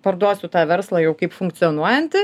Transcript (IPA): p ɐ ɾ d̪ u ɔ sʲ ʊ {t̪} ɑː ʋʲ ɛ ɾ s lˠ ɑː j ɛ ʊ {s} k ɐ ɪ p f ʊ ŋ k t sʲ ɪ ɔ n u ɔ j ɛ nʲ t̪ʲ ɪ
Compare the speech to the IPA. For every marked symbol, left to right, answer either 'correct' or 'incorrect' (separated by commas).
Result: correct, incorrect